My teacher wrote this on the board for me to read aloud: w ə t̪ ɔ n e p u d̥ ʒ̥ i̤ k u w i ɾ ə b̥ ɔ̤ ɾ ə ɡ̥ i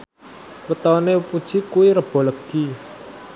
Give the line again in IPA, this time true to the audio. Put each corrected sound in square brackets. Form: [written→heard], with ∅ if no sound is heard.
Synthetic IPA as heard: w ə t̪ ɔ n e p u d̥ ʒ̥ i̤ k u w i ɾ ə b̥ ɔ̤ [ɾ→l] ə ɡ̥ i